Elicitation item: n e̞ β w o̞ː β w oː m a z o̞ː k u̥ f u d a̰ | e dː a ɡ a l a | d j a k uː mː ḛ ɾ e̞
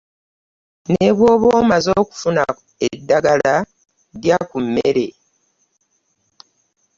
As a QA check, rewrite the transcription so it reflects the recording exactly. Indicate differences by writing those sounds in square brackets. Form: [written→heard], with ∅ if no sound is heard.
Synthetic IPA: n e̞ β w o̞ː β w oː m a z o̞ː k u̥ f u [d→n] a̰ | e dː a ɡ a l a | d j a k [uː→u] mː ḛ ɾ e̞